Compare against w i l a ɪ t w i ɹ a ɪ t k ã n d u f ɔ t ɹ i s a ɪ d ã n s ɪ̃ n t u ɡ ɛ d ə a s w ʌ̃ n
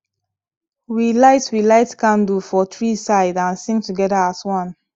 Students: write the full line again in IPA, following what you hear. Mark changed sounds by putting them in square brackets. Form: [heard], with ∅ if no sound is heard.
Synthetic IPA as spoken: w i l a ɪ t w i [l] a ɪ t k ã n d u f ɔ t ɹ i s a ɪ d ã n s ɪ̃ [ŋ] t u ɡ ɛ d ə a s w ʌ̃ n